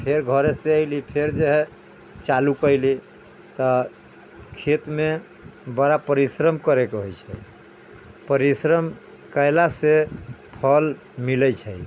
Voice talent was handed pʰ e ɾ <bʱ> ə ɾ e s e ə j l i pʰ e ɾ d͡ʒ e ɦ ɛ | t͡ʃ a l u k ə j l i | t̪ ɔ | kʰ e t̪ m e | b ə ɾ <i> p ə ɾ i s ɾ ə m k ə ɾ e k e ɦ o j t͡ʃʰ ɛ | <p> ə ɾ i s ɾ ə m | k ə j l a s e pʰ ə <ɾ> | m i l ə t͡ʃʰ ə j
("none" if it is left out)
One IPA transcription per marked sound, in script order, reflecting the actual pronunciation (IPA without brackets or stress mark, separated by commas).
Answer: ɡʱ, a, p, l